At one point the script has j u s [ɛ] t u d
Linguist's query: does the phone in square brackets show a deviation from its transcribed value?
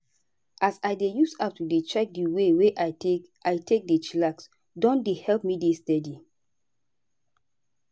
yes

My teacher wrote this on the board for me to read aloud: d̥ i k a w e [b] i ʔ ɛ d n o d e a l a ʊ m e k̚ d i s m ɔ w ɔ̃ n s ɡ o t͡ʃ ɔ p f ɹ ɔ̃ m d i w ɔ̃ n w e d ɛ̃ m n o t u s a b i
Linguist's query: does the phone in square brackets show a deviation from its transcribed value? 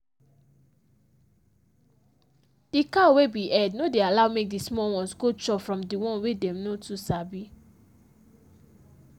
no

